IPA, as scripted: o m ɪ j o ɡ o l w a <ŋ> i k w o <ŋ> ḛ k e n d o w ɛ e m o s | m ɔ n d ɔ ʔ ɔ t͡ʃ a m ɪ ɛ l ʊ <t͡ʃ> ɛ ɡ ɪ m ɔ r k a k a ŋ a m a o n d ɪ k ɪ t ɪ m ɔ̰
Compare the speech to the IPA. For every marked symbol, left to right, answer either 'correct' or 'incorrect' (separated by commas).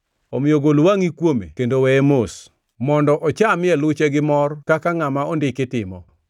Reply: correct, incorrect, correct